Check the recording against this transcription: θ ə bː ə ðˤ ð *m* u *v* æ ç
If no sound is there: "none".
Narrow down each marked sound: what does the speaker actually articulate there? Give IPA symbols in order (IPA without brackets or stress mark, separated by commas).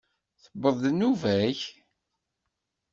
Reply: n, v